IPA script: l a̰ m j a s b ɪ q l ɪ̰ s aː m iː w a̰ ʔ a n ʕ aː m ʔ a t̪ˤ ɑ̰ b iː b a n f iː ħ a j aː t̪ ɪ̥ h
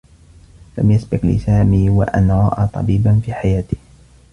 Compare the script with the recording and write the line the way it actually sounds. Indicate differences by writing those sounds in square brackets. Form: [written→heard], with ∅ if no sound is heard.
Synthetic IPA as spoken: l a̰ m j a s b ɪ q l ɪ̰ s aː m iː w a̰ ʔ a n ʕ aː [m→∅] ʔ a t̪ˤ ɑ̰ b iː b a n f iː ħ a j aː t̪ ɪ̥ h